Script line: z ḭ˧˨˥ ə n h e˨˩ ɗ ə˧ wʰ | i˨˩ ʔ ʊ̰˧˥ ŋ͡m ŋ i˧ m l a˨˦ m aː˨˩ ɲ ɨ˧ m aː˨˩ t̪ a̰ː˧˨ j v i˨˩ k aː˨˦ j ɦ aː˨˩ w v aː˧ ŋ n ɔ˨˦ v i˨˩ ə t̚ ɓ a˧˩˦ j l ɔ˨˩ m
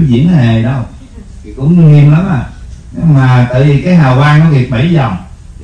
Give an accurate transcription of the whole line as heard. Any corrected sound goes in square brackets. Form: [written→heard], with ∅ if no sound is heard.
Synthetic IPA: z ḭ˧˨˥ ə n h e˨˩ ɗ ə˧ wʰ | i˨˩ [ʔ→k] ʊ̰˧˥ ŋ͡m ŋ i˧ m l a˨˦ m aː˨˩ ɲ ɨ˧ m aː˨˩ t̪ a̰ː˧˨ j v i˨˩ k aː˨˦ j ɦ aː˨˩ w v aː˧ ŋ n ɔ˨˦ v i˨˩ ə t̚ ɓ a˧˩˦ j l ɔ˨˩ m